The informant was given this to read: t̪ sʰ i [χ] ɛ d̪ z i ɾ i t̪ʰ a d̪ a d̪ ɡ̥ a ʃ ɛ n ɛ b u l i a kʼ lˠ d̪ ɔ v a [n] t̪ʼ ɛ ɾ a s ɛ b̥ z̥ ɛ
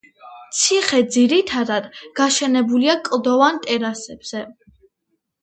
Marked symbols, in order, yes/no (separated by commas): yes, yes